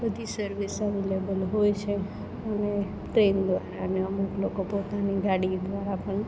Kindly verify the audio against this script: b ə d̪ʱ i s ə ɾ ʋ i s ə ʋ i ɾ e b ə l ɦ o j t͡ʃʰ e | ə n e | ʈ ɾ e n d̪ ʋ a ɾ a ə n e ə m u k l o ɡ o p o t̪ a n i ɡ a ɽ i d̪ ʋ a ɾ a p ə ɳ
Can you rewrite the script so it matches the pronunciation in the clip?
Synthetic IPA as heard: b ə d̪ʱ i s ə ɾ ʋ i s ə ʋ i l e b ə l ɦ o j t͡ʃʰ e | ə n e | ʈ ɾ e n d̪ ʋ a ɾ a ə n e ə m u k l o k o p o t̪ a n i ɡ a ɽ i d̪ ʋ a ɾ a p ə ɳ